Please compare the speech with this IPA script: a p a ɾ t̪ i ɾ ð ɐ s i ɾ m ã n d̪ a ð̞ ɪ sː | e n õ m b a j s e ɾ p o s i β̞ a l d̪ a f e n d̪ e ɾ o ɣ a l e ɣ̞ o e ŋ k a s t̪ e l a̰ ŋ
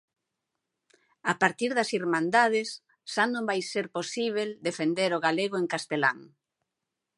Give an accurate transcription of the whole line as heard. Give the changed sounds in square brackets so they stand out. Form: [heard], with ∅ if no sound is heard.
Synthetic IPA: a p a ɾ t̪ i ɾ ð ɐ s i ɾ m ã n d̪ a ð̞ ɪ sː | [a] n õ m b a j s e ɾ p o s i β̞ [e] l d̪ [e] f e n d̪ e ɾ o ɣ a l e ɣ̞ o e ŋ k a s t̪ e l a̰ ŋ